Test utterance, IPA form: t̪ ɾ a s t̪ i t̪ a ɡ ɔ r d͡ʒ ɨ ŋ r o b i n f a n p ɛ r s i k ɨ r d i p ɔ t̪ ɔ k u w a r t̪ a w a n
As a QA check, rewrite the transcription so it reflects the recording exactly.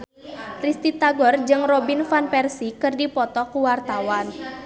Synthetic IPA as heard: t̪ ɾ i s t̪ i t̪ a ɡ ɔ r d͡ʒ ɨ ŋ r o b i n f a n p ɛ r s i k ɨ r d i p ɔ t̪ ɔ k u w a r t̪ a w a n